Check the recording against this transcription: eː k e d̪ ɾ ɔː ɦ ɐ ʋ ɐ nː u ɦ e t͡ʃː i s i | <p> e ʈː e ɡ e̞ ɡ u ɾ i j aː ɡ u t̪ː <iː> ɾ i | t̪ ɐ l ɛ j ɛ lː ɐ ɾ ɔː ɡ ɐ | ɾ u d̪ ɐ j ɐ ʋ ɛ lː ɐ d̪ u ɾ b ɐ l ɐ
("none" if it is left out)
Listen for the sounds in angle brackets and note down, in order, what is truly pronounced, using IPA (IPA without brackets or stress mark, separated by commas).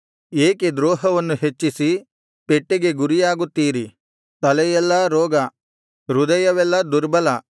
p, iː